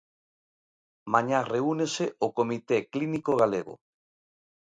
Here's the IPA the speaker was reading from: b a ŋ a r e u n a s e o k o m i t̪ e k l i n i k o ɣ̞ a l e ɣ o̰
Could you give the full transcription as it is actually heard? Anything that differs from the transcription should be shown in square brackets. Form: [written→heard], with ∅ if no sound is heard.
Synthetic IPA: [b→m] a [ŋ→ɲ] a r e u n [a→e] s e o k o m i t̪ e k l i n i k o ɣ̞ a l e ɣ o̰